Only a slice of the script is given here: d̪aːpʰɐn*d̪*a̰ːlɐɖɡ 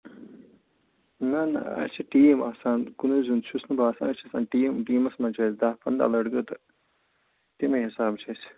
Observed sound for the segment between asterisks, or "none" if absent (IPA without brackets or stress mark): d̪